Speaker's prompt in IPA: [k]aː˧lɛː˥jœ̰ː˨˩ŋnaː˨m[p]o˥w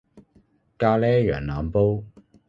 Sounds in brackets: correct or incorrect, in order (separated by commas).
correct, correct